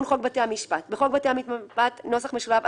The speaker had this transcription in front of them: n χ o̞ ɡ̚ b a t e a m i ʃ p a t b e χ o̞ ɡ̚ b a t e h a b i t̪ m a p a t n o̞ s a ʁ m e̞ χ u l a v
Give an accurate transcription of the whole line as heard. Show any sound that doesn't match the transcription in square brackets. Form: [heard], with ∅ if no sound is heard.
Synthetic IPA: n χ o̞ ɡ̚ b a t e a m i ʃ p a t b e χ o̞ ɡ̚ b a t e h a [m] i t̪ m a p a t n o̞ s a [χ] m e̞ [ʃ] u l a v